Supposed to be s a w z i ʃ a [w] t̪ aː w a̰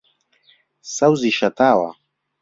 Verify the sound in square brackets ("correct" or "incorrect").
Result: incorrect